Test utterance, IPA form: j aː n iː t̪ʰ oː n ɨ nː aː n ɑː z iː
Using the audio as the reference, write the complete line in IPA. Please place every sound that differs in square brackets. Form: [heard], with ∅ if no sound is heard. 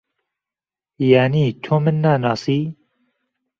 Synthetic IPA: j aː n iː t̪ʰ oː [m] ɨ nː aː n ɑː [s] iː